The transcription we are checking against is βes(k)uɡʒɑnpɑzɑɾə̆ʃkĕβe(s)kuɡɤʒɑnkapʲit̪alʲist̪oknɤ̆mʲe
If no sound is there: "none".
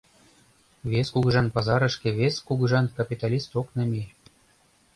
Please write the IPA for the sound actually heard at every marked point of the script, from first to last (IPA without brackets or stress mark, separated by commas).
k, s